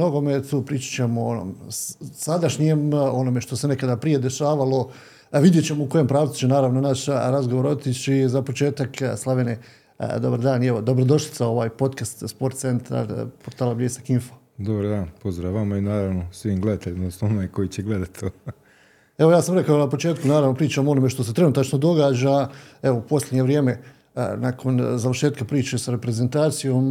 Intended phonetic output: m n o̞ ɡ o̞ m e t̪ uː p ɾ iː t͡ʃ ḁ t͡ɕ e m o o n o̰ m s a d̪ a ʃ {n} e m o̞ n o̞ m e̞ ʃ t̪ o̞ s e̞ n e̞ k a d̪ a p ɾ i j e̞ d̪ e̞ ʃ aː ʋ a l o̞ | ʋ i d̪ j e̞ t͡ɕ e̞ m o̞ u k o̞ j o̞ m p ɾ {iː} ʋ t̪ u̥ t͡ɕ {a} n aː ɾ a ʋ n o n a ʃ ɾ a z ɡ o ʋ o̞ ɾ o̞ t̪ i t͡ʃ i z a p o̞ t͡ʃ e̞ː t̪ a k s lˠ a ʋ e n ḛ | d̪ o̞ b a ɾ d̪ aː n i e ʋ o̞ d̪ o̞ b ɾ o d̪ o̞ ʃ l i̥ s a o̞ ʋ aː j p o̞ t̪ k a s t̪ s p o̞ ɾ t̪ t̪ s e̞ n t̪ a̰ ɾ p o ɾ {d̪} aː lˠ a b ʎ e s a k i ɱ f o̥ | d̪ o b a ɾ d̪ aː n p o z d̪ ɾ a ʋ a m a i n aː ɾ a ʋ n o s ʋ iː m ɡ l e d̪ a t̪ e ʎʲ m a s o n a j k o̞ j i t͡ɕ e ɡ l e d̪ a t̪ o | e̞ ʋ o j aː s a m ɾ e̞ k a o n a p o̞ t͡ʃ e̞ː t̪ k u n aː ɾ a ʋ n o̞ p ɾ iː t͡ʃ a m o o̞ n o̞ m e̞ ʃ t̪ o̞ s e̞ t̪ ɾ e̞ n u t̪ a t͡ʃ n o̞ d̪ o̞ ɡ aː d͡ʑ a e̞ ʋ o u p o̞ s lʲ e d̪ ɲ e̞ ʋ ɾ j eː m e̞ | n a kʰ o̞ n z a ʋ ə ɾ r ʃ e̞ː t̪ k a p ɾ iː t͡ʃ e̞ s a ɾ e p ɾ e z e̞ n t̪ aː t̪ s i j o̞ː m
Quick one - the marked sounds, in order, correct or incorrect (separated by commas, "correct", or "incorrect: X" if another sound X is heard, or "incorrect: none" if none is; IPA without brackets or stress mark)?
incorrect: ɲ, incorrect: aː, incorrect: e, incorrect: t̪